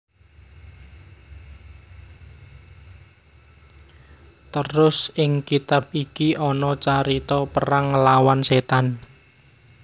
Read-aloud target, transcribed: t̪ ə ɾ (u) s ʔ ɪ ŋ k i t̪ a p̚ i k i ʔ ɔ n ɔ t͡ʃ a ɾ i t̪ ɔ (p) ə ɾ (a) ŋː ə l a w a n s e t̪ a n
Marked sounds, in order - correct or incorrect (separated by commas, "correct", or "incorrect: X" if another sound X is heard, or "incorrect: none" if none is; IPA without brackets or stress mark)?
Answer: incorrect: ʊ, correct, correct